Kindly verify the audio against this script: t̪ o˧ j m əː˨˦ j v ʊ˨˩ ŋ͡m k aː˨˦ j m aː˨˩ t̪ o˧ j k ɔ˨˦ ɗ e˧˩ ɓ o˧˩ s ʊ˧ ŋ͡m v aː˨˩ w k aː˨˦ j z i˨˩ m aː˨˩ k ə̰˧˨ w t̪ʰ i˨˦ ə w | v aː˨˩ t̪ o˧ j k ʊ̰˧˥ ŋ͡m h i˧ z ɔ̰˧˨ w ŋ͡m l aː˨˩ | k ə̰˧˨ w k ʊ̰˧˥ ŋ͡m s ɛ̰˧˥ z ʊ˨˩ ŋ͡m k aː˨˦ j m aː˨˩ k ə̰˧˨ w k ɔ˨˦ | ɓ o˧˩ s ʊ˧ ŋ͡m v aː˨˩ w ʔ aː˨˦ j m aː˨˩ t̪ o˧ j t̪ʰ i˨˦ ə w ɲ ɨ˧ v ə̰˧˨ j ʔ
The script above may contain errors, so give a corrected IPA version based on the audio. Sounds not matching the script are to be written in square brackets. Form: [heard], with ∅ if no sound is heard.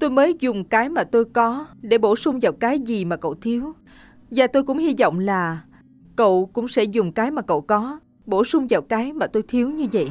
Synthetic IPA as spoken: t̪ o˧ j m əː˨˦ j [z] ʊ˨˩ ŋ͡m k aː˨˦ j m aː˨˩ t̪ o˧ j k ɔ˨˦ ɗ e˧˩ ɓ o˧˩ s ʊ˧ ŋ͡m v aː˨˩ w k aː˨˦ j z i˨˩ m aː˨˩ k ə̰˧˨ w t̪ʰ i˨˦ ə w | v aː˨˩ t̪ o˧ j k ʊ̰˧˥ ŋ͡m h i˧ z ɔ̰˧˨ w ŋ͡m l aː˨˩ | k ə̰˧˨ w k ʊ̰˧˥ ŋ͡m s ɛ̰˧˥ z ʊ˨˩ ŋ͡m k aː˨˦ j m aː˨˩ k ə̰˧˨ w k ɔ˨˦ | ɓ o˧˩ s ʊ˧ ŋ͡m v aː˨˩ w [k] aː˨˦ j m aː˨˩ t̪ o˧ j t̪ʰ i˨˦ ə w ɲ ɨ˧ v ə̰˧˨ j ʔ